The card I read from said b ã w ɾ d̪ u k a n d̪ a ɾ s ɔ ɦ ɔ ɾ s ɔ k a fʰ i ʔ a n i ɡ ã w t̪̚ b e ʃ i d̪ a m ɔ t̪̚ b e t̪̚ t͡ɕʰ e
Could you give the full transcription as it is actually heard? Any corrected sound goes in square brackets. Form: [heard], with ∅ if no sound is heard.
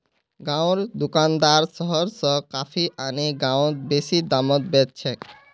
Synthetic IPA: [ɡ] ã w ɾ d̪ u k a n d̪ a ɾ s ɔ ɦ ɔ ɾ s ɔ k a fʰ i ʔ a n i ɡ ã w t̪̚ b e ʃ i d̪ a m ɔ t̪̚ b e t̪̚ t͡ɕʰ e